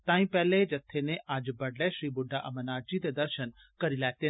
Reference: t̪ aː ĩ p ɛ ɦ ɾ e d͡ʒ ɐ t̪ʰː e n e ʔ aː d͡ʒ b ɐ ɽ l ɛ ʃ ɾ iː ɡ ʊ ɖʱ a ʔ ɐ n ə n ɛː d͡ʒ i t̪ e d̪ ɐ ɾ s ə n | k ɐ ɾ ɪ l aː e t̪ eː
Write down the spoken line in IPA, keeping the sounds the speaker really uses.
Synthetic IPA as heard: t̪ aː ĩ p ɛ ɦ l e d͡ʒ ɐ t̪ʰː e n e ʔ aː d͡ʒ b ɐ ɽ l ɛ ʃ ɾ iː b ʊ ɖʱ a ʔ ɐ m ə n aː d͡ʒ i t̪ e d̪ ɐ ɾ ʃ ə n | k ɐ ɾ i l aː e t̪ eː